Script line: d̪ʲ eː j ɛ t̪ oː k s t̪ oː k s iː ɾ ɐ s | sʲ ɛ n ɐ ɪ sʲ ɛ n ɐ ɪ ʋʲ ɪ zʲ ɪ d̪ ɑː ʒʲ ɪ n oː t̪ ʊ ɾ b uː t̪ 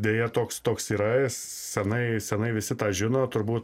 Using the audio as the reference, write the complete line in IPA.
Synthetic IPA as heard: d̪ʲ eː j ɛ t̪ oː k s t̪ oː k s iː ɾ ɐ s | sʲ ɛ n ɐ ɪ sʲ ɛ n ɐ ɪ ʋʲ ɪ sʲ ɪ t̪ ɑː ʒʲ ɪ n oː t̪ ʊ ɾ b uː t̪